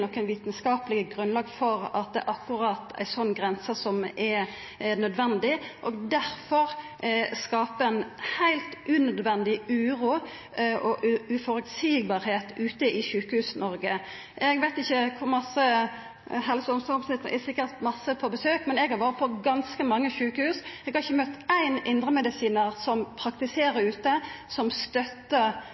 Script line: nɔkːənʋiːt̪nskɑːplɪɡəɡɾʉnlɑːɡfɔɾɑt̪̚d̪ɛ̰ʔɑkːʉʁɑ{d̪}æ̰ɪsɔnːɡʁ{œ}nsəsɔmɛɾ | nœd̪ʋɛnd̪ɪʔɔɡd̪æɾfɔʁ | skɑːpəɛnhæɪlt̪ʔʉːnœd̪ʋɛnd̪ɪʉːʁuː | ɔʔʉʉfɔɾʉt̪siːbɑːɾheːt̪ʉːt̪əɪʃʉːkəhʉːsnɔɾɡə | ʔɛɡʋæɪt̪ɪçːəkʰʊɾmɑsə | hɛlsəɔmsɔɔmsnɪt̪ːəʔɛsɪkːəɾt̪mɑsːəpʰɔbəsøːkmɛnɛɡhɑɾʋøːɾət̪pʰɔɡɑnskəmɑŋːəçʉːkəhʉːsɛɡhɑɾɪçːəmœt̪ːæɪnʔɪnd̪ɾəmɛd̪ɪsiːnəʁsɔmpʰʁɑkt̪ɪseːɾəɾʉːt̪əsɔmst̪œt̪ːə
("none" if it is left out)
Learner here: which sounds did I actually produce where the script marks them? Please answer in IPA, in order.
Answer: t̪, ɛ

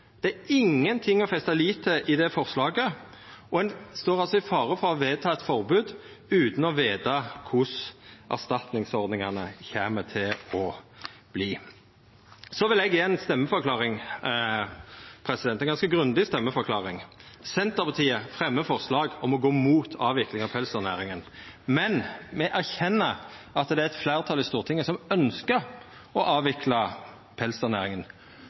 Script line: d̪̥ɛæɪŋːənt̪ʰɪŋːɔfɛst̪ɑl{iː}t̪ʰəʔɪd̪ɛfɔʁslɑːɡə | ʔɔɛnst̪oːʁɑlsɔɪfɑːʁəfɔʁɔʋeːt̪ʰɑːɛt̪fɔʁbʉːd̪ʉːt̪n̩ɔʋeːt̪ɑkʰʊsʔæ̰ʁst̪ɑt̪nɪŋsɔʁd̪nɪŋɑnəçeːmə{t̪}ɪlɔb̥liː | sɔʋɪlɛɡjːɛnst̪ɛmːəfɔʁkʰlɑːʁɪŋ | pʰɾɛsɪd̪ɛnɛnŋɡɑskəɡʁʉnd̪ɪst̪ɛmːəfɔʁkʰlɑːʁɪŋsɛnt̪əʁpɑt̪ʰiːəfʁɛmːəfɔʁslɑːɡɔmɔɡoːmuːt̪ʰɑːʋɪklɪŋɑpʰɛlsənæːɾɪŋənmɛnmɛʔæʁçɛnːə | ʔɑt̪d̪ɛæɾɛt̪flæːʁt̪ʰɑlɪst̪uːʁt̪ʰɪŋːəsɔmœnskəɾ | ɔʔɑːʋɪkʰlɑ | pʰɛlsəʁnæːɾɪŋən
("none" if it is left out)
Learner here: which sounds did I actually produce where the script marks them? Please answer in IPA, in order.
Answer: iː, t̪ʰ

